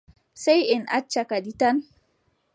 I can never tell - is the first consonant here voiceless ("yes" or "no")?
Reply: yes